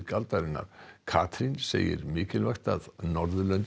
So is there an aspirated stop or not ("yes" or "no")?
yes